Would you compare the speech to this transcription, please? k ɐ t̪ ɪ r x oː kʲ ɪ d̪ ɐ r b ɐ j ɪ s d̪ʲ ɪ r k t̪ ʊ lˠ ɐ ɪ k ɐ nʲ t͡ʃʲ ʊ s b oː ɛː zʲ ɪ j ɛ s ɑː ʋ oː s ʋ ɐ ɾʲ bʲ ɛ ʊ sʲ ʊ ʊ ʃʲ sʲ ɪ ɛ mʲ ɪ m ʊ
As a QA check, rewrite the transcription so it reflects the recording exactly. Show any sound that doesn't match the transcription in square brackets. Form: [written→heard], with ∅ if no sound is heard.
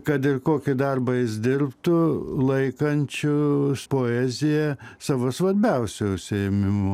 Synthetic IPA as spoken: k ɐ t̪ ɪ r [x→k] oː kʲ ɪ d̪ ɐ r b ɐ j ɪ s d̪ʲ ɪ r [k→p] t̪ ʊ lˠ ɐ ɪ k ɐ nʲ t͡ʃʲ ʊ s [b→p] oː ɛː zʲ ɪ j ɛ s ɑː ʋ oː s ʋ ɐ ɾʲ bʲ ɛ ʊ sʲ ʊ ʊ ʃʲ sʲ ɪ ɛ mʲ ɪ m ʊ